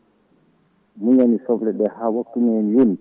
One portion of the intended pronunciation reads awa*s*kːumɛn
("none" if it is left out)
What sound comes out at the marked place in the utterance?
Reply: none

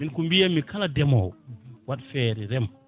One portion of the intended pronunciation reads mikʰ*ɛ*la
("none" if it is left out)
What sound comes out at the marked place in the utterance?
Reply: a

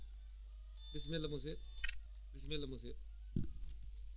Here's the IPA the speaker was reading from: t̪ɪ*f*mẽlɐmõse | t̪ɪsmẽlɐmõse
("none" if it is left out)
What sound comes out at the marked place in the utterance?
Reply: s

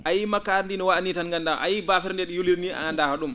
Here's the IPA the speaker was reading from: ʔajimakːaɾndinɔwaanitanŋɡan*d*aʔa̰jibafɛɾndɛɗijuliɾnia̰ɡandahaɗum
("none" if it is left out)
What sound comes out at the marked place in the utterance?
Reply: d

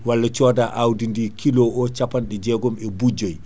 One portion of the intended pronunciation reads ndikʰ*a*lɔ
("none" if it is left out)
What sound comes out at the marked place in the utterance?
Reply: i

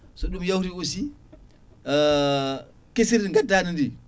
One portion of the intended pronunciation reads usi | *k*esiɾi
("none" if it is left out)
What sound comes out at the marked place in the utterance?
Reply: k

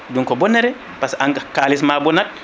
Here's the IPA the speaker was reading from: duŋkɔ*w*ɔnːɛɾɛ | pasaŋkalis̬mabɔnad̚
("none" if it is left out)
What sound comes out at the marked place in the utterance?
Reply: b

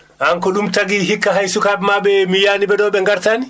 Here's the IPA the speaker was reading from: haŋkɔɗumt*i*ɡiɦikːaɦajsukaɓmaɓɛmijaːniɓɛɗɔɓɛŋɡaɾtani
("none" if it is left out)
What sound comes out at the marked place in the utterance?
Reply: a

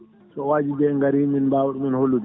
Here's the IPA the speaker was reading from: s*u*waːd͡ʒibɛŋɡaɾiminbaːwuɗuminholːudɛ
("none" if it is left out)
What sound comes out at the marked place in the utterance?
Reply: ɔ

